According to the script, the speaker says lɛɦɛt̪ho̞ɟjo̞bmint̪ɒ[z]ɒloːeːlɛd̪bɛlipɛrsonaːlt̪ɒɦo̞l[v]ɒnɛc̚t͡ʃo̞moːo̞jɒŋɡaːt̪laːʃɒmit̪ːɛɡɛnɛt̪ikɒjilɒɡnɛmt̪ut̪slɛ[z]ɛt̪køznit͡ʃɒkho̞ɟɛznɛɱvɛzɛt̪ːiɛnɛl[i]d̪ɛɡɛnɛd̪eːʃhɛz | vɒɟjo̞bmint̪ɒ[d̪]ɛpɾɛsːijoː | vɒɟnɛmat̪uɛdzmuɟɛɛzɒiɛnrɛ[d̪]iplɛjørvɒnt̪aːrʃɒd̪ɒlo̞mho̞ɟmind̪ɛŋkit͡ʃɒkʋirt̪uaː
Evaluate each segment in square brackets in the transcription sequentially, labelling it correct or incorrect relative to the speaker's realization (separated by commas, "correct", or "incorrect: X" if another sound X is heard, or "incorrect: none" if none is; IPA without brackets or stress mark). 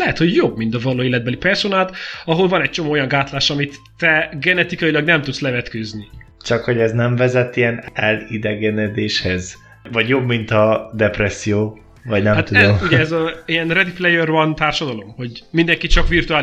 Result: incorrect: v, correct, incorrect: v, correct, correct, correct